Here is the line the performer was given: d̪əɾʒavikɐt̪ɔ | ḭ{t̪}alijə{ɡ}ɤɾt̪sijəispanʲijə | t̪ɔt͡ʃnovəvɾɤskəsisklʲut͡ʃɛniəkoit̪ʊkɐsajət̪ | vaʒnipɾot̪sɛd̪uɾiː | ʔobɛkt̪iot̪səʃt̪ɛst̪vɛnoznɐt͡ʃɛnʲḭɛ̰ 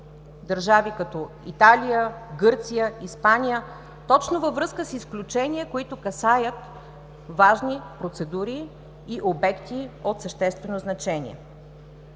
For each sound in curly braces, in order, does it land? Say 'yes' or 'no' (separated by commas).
yes, yes